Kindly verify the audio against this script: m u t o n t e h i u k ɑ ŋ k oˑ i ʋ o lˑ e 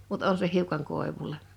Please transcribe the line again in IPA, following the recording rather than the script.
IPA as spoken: m u t o n s e h i u k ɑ ŋ k oˑ e ʋ u lˑ e